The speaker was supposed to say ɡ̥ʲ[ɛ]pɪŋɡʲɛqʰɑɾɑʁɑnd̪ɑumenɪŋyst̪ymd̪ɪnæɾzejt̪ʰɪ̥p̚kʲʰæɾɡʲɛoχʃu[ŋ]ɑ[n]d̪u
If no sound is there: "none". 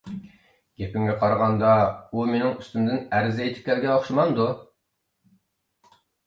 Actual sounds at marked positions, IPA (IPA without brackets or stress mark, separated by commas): e, m, n